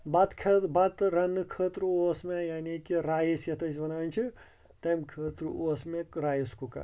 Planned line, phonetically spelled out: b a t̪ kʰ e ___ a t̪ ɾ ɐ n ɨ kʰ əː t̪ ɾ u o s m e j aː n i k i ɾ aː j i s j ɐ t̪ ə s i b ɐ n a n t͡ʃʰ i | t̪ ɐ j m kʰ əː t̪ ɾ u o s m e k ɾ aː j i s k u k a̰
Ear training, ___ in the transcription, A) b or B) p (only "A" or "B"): A